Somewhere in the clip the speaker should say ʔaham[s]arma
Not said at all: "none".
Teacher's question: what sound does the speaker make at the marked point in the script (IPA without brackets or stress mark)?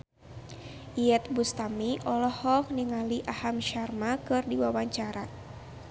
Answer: ʃ